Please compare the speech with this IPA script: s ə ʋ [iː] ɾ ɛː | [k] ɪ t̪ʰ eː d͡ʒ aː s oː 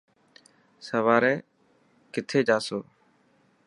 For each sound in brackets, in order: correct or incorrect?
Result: incorrect: aː, correct

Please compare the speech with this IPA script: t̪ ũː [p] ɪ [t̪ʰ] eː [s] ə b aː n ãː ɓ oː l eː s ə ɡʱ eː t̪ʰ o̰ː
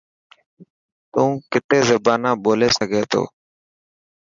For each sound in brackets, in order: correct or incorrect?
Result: incorrect: k, incorrect: t̪, incorrect: z

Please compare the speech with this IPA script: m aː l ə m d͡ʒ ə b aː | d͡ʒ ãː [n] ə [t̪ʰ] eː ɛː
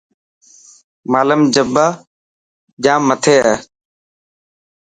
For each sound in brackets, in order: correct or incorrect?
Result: incorrect: m, correct

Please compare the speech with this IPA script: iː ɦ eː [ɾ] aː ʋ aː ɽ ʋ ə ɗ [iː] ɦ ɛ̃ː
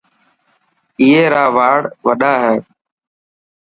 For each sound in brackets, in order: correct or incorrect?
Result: correct, incorrect: aː

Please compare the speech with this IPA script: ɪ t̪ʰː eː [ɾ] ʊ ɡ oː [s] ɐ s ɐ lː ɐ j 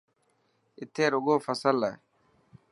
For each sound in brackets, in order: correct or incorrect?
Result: correct, incorrect: f

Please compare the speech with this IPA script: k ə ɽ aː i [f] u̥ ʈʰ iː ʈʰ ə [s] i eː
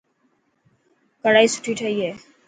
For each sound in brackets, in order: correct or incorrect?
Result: incorrect: s, incorrect: none

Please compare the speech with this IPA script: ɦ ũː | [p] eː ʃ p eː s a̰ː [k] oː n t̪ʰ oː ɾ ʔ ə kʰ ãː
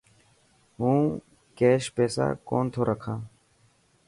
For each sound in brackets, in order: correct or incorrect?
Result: incorrect: k, correct

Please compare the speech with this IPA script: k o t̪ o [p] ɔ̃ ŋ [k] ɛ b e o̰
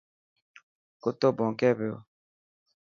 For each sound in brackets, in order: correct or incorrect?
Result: incorrect: b, correct

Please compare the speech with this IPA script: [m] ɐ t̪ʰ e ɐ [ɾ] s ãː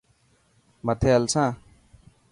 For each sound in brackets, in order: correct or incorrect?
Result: correct, incorrect: l

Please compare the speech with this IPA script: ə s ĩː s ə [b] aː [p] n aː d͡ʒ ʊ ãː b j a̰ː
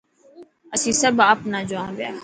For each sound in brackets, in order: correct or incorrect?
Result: correct, correct

